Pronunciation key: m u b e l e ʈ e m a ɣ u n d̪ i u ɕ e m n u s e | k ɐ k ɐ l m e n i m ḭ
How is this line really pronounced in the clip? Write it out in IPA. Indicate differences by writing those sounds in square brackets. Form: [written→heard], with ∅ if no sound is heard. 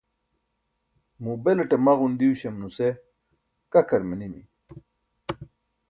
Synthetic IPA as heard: m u b e l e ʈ e m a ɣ u n d̪ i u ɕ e m n u s e | k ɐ k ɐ [l→ɾ] m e n i m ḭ

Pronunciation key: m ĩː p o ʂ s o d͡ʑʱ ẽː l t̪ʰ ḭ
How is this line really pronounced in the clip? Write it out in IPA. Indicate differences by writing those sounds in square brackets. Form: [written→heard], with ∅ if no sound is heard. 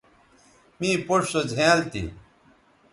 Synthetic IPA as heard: m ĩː p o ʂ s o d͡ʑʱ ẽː l [t̪ʰ→t̪] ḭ

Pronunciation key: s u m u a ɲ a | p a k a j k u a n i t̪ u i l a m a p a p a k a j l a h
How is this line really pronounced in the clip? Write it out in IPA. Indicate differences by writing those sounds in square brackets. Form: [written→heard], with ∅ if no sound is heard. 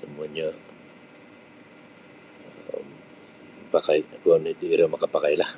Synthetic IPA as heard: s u m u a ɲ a | p a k a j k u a n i t̪ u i [l→ɾ] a m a [p→k] a p a k a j l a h

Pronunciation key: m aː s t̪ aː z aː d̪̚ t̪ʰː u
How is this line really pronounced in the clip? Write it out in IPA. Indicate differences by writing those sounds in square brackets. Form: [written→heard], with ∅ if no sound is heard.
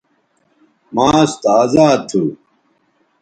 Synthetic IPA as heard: m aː s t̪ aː z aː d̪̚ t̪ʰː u

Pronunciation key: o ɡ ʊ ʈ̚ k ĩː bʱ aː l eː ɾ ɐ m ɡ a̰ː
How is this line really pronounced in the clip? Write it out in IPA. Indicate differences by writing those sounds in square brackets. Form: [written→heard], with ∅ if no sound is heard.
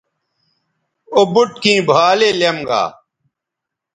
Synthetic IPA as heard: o [ɡ→b] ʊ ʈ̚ k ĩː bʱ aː l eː [ɾ→l] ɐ m ɡ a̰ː

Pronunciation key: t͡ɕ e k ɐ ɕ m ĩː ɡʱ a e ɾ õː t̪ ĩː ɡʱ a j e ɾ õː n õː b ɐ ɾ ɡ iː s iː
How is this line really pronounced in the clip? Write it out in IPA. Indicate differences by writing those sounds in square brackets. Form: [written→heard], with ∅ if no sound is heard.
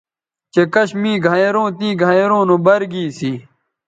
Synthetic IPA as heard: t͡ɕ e k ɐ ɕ m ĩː ɡʱ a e ɾ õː t̪ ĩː ɡʱ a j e ɾ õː n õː b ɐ ɾ ɡ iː s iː

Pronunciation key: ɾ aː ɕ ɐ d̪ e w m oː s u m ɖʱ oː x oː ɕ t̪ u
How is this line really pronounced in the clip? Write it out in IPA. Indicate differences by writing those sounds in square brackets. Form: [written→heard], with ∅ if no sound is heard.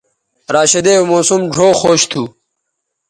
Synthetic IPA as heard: ɾ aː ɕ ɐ d̪ e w m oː s u m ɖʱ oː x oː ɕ [t̪→t̪ʰ] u

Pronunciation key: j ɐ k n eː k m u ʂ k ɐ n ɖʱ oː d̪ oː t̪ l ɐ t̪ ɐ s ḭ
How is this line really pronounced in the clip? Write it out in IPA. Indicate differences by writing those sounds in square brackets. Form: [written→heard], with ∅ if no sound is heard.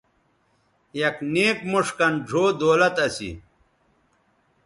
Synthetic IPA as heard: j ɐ k n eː k m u ʂ k ɐ n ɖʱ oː d̪ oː [t̪→∅] l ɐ t̪ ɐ s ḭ

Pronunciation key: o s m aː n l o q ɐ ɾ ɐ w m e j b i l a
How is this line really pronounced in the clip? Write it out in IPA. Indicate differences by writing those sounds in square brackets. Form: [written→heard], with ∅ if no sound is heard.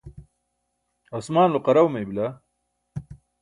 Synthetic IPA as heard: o s m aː n l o q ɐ ɾ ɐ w m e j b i l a

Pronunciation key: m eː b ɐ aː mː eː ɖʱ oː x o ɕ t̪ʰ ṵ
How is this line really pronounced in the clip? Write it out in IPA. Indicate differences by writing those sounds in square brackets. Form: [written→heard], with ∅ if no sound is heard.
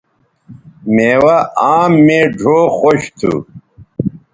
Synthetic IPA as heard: m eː [b→w] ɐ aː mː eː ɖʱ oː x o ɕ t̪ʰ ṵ

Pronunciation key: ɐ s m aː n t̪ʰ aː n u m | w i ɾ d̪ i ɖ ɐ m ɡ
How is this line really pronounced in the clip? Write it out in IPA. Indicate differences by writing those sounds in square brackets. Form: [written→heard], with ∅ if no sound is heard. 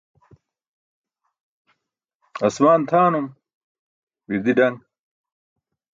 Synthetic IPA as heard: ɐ s m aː n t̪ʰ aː n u m | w i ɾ d̪ i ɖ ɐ [m→ŋ] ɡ

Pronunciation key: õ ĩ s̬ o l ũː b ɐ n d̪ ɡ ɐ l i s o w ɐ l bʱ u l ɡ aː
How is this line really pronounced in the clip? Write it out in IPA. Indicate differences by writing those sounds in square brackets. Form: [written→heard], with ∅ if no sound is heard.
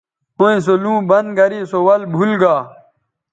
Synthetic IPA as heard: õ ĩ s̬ o l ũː b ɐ n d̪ ɡ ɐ [l→ɾ] i s o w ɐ l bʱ u l ɡ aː

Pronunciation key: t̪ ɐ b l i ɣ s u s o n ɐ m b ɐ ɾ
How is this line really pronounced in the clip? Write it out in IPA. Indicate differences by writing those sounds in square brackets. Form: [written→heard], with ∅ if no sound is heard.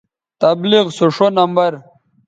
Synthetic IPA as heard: t̪ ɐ b l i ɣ s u [s→ʂ] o n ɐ m b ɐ ɾ

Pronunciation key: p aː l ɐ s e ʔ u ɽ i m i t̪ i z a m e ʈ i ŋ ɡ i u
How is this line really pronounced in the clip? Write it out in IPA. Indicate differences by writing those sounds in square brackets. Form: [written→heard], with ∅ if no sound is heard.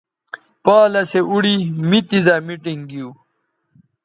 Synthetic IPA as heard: p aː l ɐ s e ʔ u ɽ i m i t̪ i z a m [e→i] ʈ i ŋ ɡ i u

